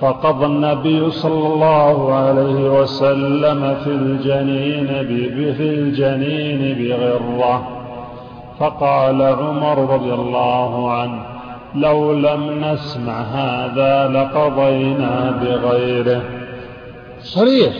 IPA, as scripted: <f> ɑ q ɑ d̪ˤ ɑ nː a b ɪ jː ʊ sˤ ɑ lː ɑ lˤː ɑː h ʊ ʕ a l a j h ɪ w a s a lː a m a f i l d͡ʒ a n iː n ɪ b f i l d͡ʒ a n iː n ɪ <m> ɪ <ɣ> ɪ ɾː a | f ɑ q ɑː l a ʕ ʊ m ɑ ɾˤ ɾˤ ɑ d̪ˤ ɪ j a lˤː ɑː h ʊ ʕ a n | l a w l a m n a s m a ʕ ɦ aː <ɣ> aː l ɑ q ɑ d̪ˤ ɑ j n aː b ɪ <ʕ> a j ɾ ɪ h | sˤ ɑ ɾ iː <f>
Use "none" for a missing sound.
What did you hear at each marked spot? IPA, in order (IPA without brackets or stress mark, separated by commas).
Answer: f, b, ɣ, ð, ɣ, ħ